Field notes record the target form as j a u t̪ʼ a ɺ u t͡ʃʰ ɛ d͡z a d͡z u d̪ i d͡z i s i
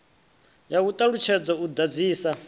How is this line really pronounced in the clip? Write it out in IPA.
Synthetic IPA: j a u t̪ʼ a ɺ u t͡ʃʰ ɛ d͡z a u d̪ a d͡z iː s a

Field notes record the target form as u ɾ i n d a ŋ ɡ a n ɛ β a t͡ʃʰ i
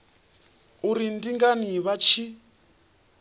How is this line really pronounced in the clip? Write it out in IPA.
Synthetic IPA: u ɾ i n d i ŋ ɡ a n i β a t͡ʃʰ i

